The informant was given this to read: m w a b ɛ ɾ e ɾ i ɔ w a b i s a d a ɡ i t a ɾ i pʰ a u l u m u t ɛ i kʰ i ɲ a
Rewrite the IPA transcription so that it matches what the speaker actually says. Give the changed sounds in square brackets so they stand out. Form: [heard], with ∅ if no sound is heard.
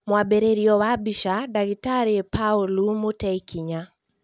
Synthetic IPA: m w a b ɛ ɾ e ɾ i ɔ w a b i [ʃ] a d a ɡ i t a ɾ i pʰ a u l u m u t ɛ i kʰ i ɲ a